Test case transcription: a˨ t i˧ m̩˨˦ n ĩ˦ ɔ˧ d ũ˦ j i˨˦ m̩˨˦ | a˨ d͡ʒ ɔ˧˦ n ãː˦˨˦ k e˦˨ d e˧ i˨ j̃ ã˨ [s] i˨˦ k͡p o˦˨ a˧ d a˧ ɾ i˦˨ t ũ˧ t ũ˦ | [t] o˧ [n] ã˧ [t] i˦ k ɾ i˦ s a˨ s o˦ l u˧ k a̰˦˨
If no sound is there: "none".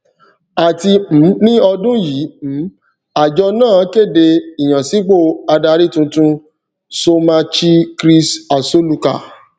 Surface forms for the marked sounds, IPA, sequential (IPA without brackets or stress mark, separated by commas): s, s, m, t͡ʃ